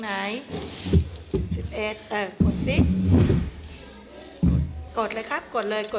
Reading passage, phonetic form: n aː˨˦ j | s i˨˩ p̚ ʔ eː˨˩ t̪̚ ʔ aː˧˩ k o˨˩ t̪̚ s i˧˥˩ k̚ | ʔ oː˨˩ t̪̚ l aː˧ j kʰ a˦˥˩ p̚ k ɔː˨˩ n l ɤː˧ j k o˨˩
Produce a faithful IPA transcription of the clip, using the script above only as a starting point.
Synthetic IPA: n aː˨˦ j | s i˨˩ p̚ ʔ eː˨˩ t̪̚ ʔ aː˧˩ k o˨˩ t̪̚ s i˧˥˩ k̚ | k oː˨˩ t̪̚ l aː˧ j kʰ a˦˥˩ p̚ k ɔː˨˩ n l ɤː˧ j k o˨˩

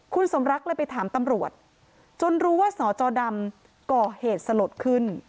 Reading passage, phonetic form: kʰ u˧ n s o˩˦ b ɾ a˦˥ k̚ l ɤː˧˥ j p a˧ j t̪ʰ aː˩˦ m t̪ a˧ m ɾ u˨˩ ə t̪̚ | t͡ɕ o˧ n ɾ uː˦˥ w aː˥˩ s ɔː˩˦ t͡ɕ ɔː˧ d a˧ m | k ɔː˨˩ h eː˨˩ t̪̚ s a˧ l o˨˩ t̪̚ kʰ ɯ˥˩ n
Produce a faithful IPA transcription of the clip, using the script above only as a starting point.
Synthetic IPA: kʰ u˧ n s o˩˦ m ɾ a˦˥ k̚ l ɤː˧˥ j p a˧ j t̪ʰ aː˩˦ m t̪ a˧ m ɾ u˨˩ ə t̪̚ | t͡ɕ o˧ n ɾ uː˦˥ w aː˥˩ s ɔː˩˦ t͡ɕ ɔː˧ d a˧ m | k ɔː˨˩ h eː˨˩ t̪̚ s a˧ l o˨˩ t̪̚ kʰ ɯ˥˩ n

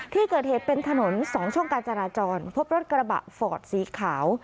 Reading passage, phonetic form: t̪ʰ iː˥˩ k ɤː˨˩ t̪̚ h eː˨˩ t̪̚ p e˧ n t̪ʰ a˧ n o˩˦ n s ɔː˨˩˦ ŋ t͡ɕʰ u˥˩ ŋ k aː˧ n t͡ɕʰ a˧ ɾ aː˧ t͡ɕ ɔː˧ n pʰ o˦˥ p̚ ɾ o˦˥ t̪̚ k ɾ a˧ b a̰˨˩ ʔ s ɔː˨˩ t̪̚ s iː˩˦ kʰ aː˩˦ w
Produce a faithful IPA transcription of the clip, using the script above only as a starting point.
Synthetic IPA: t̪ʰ iː˥˩ k ɤː˨˩ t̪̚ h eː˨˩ t̪̚ p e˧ n t̪ʰ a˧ n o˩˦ n s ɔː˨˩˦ ŋ t͡ɕʰ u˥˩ ŋ k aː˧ n t͡ɕ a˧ ɾ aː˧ t͡ɕ ɔː˧ n pʰ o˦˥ p̚ ɾ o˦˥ t̪̚ k ɾ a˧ b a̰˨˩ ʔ f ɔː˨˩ t̪̚ s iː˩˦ kʰ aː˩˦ w

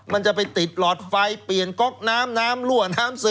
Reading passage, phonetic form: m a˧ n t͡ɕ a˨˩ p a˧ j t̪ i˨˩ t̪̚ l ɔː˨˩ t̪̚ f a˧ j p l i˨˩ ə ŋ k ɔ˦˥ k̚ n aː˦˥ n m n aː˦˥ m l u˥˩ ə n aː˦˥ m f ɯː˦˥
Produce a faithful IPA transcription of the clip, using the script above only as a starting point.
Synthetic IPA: m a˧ n t͡ɕ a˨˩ p a˧ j t̪ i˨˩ t̪̚ l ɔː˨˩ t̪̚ f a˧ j p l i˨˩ ə n k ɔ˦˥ k̚ n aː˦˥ m n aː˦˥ m l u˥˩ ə n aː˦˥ m s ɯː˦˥

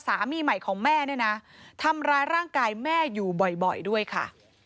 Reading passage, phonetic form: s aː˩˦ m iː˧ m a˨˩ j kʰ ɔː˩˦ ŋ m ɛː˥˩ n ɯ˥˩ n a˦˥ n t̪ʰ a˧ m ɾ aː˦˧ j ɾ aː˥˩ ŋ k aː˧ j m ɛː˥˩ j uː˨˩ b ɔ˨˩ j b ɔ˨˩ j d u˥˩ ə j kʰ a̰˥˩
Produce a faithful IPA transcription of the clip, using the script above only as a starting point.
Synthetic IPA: s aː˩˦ m iː˧ m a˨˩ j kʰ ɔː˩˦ ŋ m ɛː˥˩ n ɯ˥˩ n a˦˥ t̪ʰ a˧ m ɾ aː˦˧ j ɾ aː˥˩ ŋ k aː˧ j m ɛː˥˩ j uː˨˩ b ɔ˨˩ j b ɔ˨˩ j d u˥˩ ə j kʰ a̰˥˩

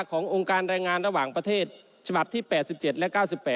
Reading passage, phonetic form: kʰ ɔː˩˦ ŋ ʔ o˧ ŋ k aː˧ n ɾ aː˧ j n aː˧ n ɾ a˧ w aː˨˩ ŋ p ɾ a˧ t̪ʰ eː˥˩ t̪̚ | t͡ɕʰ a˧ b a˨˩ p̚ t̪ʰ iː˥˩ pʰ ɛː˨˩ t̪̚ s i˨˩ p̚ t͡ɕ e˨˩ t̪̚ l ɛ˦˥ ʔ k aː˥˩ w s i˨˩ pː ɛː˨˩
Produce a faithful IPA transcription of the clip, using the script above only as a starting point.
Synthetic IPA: kʰ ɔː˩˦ ŋ ʔ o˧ ŋ k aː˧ n ɾ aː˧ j ŋ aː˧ n ɾ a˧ w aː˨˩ ŋ p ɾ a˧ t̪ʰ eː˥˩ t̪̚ | t͡ɕʰ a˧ b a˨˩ p̚ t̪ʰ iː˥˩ p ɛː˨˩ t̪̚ s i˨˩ p̚ t͡ɕ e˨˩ t̪̚ l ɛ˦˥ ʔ k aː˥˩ w s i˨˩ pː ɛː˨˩

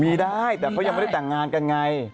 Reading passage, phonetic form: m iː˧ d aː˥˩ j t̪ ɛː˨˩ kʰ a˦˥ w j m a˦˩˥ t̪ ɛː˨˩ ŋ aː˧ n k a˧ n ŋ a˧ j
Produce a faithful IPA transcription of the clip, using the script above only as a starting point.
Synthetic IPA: m iː˧ d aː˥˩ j t̪ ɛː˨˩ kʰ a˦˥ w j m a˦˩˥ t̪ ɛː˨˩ ŋ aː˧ n k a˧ n ŋ a˧ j

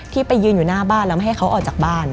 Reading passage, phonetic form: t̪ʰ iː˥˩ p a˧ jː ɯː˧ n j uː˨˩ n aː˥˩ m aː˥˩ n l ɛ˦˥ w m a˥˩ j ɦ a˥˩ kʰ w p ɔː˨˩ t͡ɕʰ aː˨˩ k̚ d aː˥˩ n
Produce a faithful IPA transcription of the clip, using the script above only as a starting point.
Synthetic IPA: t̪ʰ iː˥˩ p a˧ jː ɯː˧ n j uː˨˩ n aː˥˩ b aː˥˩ n l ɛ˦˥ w m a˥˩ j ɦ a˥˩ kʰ w ʔ ɔː˨˩ t͡ɕ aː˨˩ k̚ b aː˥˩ n

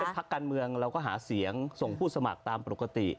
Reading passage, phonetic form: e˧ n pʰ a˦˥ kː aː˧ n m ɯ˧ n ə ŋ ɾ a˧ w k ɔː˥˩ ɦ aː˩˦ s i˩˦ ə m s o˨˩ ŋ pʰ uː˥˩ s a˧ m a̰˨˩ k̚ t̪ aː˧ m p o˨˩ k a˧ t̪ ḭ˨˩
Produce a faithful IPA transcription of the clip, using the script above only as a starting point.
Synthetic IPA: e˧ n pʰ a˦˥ kː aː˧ n m ɯ˧ ə ŋ ɾ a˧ w k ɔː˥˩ ɦ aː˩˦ s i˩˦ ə ŋ s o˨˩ ŋ pʰ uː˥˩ s a˧ m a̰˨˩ k̚ t̪ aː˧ m p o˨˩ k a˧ t̪ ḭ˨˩

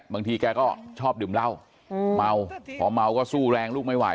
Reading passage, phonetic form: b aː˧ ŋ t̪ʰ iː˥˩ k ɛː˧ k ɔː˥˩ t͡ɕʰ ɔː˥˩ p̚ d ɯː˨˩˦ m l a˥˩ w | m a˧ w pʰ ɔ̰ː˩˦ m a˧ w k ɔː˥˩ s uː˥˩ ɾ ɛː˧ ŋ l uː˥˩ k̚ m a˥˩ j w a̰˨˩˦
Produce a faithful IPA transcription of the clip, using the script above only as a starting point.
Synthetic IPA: b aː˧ ŋ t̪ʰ iː˧ k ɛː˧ k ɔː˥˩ t͡ɕʰ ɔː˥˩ p̚ d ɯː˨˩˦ m l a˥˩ w | m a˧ w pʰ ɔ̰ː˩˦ m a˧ w k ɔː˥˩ s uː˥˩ ɾ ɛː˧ ŋ l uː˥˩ k̚ m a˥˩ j w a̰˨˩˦

